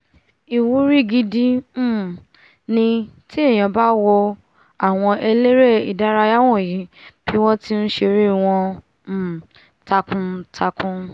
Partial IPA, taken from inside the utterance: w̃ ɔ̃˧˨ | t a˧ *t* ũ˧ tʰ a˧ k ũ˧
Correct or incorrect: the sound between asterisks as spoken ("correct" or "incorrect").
incorrect